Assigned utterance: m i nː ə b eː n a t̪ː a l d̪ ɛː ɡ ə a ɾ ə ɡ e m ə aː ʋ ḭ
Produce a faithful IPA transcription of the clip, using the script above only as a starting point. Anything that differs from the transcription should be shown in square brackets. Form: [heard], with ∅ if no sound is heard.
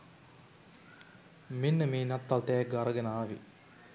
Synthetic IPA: m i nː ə [m] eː n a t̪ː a l [t̪] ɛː ɡ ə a ɾ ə ɡ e [n] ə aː ʋ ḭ

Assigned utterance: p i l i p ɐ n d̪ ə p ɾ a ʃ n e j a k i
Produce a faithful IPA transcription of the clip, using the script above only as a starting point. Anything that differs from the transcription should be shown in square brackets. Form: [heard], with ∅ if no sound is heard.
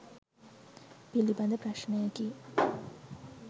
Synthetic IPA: p i l i [b] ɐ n d̪ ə p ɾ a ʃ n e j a k i

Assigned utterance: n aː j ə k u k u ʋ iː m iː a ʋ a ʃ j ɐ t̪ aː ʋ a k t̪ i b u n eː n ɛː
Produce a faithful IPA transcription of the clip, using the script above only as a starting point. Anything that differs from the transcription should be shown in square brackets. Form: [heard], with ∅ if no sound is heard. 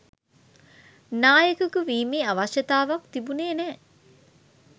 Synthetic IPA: n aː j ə k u k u ʋ iː m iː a ʋ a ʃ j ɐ t̪ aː ʋ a k t̪ i b u n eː n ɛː

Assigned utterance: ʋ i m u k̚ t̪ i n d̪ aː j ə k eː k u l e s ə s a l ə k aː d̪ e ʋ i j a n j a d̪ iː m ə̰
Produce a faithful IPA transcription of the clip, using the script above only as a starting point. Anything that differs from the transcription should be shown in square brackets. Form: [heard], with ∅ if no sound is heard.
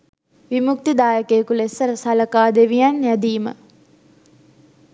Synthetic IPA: ʋ i m u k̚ t̪ i [∅] d̪ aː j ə k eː k u l e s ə s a l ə k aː d̪ e ʋ i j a n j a d̪ iː m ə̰

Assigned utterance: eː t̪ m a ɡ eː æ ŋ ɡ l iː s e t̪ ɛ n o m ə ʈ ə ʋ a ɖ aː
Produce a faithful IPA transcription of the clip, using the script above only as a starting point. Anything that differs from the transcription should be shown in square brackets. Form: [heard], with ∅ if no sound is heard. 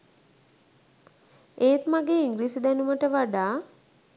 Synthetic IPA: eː t̪ m a ɡ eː [i] ŋ ɡ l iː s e [d̪] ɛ n [u] m ə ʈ ə ʋ a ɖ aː

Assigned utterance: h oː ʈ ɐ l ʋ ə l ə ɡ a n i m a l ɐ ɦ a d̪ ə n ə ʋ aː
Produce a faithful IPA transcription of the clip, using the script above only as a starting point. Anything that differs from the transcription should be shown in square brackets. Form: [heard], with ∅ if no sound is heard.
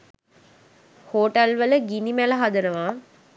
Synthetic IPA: h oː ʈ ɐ l ʋ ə l ə ɡ [i] n i m [æ] l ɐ ɦ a d̪ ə n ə ʋ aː

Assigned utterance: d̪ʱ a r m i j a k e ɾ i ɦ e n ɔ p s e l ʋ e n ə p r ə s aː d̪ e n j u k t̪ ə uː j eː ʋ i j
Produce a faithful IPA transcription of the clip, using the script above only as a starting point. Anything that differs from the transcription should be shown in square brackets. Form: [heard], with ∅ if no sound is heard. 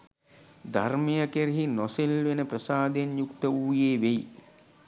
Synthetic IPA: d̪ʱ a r m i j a k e ɾ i ɦ [i] n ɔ [∅] s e l ʋ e n ə p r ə s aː d̪ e n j u k t̪ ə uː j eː ʋ [e] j

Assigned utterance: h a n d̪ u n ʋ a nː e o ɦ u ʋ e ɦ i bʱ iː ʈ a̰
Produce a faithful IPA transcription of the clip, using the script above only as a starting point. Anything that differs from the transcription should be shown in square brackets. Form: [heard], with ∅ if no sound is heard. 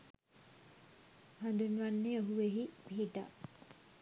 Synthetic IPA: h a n d̪ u n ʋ a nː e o ɦ u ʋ e ɦ i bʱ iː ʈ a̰

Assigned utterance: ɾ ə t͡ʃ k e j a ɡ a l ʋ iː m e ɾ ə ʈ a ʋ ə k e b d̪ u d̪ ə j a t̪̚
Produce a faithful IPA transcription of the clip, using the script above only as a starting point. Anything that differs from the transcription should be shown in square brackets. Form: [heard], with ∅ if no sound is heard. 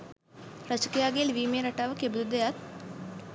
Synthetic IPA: ɾ ə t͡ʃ k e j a ɡ [e] l ʋ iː m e ɾ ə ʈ a ʋ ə k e b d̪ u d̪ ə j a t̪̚

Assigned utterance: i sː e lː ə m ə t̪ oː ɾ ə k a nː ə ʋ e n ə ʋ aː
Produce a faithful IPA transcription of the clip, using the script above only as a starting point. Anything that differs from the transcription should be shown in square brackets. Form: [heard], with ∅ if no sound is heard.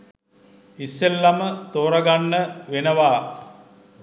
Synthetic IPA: i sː e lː [a] m ə t̪ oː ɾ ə [ɡ] a nː ə ʋ e n ə ʋ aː

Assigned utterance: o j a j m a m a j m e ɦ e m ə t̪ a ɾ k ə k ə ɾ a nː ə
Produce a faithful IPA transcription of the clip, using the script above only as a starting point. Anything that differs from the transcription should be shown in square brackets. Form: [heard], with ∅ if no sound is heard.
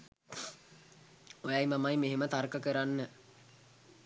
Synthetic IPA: o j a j m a m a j m e ɦ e m ə t̪ a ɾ k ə k ə ɾ a nː ə

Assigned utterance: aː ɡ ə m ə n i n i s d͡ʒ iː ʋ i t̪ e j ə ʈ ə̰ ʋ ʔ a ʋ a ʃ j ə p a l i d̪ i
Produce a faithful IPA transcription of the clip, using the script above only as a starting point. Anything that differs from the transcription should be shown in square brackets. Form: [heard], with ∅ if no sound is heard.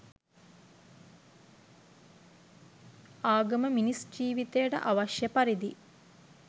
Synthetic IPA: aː ɡ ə m ə [m] i n i s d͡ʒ iː ʋ i t̪ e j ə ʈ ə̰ [∅] ʔ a ʋ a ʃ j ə p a [ɾ] i d̪ i

